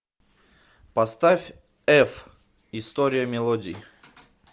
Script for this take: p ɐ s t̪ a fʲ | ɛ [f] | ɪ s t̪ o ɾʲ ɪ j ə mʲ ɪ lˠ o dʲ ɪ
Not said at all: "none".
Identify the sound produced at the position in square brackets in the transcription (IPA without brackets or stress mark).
f